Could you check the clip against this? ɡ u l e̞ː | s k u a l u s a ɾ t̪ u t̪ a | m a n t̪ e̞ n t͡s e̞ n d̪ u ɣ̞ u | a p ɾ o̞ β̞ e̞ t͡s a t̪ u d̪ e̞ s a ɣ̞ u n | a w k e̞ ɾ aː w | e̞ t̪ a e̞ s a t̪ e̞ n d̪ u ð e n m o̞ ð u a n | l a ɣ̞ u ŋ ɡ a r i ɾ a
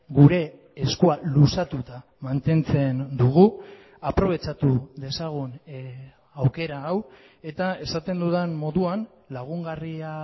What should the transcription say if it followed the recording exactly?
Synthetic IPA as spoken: ɡ u ɾ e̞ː | s k u a l u s a t̪ u t̪ a | m a n t̪ e̞ n t͡s e̞ n d̪ u ɣ̞ u | a p ɾ o̞ β̞ e̞ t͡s a t̪ u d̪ e̞ s a ɣ̞ u n | a w k e̞ ɾ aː w | e̞ t̪ a e̞ s a t̪ e̞ n d̪ u ð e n m o̞ ð u a n | l a ɣ̞ u ŋ ɡ a r i a

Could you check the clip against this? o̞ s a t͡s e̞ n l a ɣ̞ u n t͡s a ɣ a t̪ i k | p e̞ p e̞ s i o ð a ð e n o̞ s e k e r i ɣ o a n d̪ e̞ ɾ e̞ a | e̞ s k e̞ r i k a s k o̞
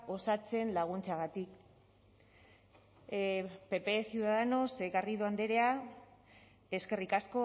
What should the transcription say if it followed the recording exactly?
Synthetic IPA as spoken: o̞ s a t͡s e̞ n l a ɣ̞ u n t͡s a ɣ a t̪ i k | p e̞ p e̞ s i u ð a ð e n o̞ s e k a r i ð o a n d̪ e̞ ɾ e̞ a | e̞ s k e̞ r i k a s k o̞

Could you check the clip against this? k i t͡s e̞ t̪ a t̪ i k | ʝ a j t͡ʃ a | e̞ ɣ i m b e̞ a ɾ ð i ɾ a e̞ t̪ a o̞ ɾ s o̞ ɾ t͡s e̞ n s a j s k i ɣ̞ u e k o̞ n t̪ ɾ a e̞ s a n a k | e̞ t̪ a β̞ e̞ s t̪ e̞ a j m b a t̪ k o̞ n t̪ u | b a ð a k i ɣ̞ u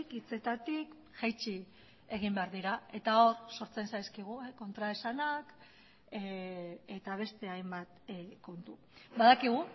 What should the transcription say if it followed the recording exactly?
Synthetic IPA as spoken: k i t͡s e̞ t̪ a t̪ i k | ʝ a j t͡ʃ i | e̞ ɣ i m b e̞ a ɾ ð i ɾ a e̞ t̪ a o̞ ɾ s o̞ ɾ t͡s e̞ n s a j s k i ɣ̞ u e k o̞ n t̪ ɾ a e̞ s a n a k | e̞ t̪ a β̞ e̞ s t̪ e̞ a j m b a t̪ k o̞ n t̪ u | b a ð a k i ɣ̞ u

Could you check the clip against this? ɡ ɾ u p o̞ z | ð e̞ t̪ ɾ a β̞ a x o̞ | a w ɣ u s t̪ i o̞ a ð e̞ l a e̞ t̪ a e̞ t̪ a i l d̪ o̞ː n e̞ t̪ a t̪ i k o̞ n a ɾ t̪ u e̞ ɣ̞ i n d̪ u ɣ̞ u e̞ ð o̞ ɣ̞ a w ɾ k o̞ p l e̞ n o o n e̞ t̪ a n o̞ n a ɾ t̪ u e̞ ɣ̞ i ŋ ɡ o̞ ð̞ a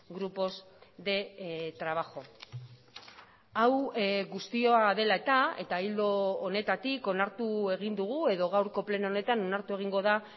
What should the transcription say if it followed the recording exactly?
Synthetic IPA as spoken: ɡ ɾ u p o̞ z | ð e̞ t̪ ɾ a β̞ a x o̞ | a w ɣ u s t̪ i o̞ a ð e̞ l a e̞ t̪ a e̞ t̪ a i l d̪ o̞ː n e̞ t̪ a t̪ i k o̞ n a ɾ t̪ u e̞ ɣ̞ i n d̪ u ɣ̞ u e̞ ð o̞ ɣ̞ a w ɾ k o̞ p l e̞ n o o n e̞ t̪ a n o̞ n a ɾ t̪ u e̞ ɣ̞ i ŋ ɡ o̞ ð̞ a

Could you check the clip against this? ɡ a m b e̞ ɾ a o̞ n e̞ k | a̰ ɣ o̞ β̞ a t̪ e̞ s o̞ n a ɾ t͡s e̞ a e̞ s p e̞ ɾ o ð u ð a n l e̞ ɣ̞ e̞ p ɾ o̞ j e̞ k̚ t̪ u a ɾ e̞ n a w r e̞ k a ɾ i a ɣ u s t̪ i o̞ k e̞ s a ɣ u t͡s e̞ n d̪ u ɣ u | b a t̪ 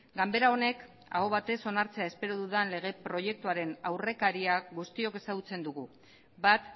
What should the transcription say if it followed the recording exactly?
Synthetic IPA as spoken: ɡ a m b e̞ ɾ a o̞ n e̞ k | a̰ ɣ o̞ β̞ a t̪ e̞ s o̞ n a ɾ t͡s e̞ a e̞ s p e̞ ɾ o ð u ð a n l e̞ ɣ̞ e̞ p ɾ o̞ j e̞ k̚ t̪ u a ɾ e̞ n a w r e̞ k a ɾ i a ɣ u s t̪ i o̞ k e̞ s a ɣ u t͡s e̞ n d̪ u ɣ u | b a t̪

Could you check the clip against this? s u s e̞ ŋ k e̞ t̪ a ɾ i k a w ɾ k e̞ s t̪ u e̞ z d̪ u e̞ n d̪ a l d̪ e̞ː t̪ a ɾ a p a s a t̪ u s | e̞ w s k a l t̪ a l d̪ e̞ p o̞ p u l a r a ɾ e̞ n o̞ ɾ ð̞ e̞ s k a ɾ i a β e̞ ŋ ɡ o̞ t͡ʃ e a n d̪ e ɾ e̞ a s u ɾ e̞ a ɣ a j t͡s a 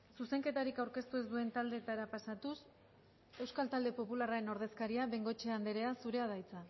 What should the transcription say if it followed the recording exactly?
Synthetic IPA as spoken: s u s e̞ ŋ k e̞ t̪ a ɾ i k a w ɾ k e̞ s t̪ u e̞ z d̪ u e̞ n t̪ a l d̪ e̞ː t̪ a ɾ a p a s a t̪ u s | e̞ w s k a l t̪ a l d̪ e̞ p o̞ p u l a r a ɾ e̞ n o̞ ɾ ð̞ e̞ s k a ɾ i a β e̞ ŋ ɡ o̞ t͡ʃ e a n d̪ e ɾ e̞ a s u ɾ e̞ a ð a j t͡s a

